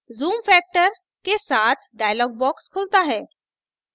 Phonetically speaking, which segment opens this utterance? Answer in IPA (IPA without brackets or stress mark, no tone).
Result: z